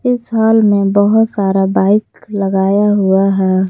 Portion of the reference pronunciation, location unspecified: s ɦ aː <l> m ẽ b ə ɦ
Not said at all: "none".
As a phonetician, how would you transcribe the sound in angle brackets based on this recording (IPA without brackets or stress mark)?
l